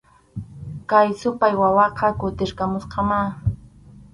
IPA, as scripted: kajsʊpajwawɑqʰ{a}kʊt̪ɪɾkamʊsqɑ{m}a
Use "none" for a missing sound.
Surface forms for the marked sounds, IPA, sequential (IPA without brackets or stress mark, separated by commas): ɑ, m